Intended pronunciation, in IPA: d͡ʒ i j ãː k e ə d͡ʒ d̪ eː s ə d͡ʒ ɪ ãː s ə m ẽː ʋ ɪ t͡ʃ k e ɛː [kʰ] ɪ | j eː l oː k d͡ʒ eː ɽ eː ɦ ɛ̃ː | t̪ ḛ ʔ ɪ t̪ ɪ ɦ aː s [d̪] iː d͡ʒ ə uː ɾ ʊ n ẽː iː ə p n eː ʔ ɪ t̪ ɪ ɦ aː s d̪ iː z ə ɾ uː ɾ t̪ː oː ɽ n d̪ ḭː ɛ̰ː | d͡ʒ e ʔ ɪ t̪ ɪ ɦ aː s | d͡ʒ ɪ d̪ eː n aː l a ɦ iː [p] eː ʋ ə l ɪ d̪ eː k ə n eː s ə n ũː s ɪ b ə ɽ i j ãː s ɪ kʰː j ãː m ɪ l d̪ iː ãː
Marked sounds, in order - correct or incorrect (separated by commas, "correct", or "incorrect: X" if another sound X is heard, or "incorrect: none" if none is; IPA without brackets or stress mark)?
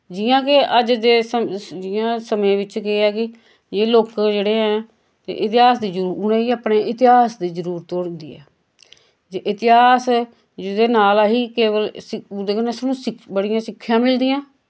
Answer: incorrect: k, correct, incorrect: k